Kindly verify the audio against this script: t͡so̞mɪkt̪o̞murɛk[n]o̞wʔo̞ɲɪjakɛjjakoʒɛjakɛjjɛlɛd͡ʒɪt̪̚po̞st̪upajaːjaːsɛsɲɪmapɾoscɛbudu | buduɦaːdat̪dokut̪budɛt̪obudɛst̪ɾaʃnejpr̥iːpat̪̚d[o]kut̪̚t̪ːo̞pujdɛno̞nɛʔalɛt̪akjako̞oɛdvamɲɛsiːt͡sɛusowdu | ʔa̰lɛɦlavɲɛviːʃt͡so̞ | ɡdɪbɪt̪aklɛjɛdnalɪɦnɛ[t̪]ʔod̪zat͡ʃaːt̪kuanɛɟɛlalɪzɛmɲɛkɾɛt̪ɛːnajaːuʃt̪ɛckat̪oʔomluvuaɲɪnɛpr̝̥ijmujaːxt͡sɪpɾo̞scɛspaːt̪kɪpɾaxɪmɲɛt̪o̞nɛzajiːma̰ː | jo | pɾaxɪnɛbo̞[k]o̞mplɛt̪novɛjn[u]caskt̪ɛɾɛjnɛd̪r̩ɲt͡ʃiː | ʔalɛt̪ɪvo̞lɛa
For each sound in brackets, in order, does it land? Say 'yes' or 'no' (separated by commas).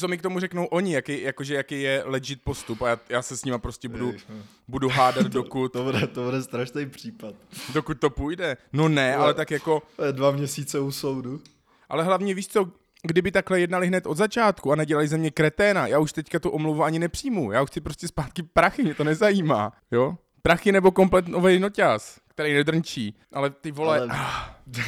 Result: yes, yes, yes, yes, no